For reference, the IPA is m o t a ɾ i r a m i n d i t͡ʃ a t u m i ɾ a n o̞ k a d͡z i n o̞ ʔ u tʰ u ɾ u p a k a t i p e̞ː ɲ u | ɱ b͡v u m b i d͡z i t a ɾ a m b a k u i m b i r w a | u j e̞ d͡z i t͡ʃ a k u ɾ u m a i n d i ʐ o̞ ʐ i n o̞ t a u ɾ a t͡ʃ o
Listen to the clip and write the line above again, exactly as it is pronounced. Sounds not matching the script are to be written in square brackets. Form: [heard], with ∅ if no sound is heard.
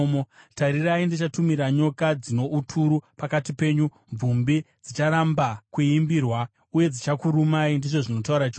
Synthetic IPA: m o t a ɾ i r a [∅] i n d i t͡ʃ a t u m i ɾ a [ɲ] o̞ k a d͡z i n o̞ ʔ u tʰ u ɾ u p a k a t i p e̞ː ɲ u | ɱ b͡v u m b i d͡z i [t͡ʃ] a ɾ a m b a k u i m b i r w a | u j e̞ d͡z i t͡ʃ a k u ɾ u m a i n d i ʐ o̞ ʐ i n o̞ t a u ɾ a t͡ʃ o